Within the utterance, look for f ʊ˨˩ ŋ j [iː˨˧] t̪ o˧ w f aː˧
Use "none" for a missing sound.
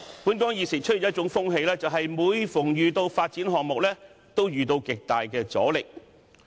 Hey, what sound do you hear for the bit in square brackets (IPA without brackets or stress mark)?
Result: yː˨˧